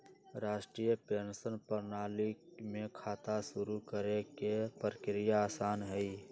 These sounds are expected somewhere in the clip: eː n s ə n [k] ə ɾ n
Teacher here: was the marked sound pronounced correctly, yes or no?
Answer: no